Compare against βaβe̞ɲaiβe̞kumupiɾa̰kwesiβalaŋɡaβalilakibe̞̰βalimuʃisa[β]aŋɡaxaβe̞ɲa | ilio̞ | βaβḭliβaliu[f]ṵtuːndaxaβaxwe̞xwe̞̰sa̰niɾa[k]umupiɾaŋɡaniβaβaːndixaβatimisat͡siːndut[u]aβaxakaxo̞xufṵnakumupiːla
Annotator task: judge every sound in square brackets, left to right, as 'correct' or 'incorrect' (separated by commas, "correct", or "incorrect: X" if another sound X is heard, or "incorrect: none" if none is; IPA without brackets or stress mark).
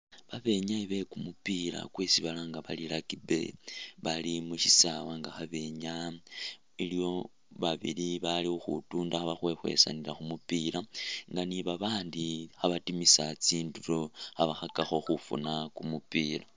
incorrect: w, incorrect: x, incorrect: x, incorrect: o